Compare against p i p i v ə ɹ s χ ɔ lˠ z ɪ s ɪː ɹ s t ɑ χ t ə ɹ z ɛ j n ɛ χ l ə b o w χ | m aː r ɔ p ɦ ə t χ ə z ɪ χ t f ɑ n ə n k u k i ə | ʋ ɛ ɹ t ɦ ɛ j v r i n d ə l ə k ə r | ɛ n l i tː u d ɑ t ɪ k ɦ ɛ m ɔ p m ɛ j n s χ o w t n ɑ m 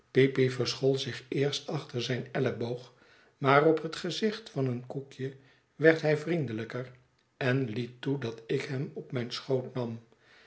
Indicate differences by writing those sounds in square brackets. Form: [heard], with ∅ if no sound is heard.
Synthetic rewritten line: p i p i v ə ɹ s χ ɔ lˠ z ɪ [χ] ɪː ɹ s t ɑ χ t ə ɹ z ɛ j n ɛ [∅] l ə b o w χ | m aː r ɔ p ɦ ə t χ ə z ɪ χ t f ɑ n ə n k u k [j] ə | ʋ ɛ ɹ t ɦ ɛ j v r i n d ə l ə k ə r | ɛ n l i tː u d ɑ t ɪ k ɦ ɛ m ɔ p m ɛ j n s χ o w t n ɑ m